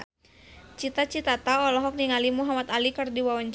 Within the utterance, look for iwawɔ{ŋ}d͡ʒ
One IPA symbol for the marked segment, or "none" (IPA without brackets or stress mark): ɲ